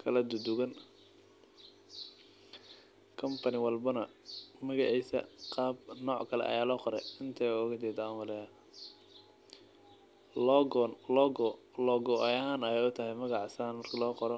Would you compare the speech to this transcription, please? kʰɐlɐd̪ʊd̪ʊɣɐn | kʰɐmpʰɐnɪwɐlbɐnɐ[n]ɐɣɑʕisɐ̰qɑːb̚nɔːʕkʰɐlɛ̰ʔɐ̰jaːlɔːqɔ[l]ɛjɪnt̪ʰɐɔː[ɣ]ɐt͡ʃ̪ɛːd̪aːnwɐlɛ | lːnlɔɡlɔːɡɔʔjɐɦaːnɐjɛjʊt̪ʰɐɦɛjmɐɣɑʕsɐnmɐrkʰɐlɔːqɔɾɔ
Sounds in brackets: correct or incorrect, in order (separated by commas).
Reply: incorrect, incorrect, correct